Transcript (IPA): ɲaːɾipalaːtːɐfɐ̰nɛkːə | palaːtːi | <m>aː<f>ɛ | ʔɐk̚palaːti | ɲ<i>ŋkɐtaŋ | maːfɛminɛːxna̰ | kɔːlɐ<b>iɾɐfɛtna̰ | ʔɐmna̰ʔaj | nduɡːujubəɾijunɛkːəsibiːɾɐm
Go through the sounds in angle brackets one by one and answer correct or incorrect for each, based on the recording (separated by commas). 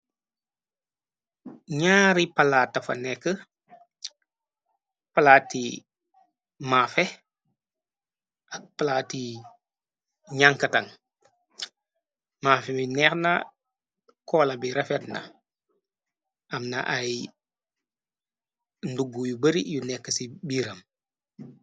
correct, correct, incorrect, correct